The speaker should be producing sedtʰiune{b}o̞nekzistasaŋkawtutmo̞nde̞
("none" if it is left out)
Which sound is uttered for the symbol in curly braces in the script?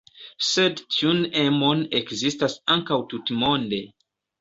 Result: m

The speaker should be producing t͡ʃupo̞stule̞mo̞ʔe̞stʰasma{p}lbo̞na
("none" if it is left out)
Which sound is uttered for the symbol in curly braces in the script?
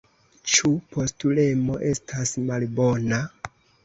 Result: none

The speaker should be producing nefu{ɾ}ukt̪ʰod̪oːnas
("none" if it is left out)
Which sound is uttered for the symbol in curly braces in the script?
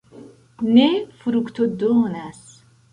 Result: ɾ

